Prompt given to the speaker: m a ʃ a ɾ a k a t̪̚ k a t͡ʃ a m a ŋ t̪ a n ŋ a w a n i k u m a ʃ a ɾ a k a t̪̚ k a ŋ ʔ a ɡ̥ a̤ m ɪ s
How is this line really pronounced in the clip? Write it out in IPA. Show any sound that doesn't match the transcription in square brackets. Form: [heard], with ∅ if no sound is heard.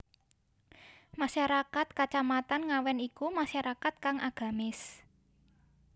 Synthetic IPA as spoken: m a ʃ a ɾ a k a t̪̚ k a t͡ʃ a m a [∅] t̪ a n ŋ a w [ɛ] n i k u m a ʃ a ɾ a k a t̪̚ k a ŋ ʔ a ɡ̥ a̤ m ɪ s